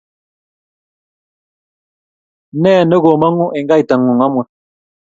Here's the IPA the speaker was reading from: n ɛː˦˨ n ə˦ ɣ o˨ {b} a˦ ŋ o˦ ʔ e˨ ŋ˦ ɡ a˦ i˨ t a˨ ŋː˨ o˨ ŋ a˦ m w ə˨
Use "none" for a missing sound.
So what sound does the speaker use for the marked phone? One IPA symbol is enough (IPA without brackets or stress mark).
m